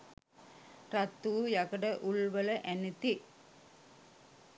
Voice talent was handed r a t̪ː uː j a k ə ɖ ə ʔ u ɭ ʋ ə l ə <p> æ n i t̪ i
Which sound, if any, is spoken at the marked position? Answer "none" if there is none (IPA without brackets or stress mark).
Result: ʔ